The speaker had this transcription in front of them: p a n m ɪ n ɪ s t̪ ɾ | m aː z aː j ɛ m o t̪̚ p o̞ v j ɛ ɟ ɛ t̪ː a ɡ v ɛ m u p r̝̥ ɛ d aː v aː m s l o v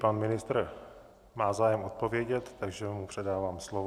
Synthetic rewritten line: p a n m ɪ n ɪ s t̪ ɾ | m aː z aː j ɛ m o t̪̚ p o̞ v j ɛ ɟ ɛ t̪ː a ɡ ʒ ɛ m u p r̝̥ ɛ d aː v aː m s l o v